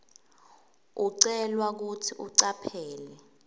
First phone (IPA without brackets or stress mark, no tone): u